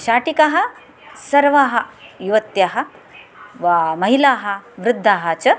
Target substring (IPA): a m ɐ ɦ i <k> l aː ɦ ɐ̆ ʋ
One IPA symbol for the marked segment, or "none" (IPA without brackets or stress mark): none